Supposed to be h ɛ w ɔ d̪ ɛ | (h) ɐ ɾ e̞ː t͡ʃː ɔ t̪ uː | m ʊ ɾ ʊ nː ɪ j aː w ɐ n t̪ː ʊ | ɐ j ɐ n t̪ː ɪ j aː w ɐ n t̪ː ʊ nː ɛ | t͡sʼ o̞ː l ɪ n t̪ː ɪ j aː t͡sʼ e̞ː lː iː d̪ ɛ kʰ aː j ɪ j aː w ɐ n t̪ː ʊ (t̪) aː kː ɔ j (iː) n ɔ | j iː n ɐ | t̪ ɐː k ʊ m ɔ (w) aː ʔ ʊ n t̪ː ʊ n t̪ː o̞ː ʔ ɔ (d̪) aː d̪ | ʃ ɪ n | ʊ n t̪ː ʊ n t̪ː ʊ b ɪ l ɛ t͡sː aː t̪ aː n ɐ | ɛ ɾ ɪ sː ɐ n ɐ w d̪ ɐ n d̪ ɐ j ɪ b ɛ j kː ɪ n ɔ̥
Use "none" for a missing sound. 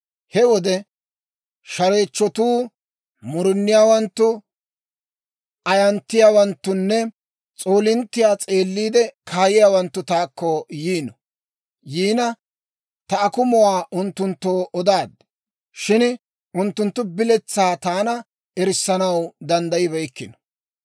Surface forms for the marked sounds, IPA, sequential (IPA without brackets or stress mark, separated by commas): ʃ, t̪, iː, w, d̪